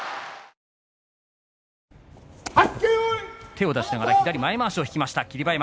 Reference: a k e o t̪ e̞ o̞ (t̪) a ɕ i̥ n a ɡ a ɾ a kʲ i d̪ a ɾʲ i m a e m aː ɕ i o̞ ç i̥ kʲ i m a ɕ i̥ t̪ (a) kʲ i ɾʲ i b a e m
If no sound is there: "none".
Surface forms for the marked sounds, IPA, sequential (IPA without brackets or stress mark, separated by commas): d̪, a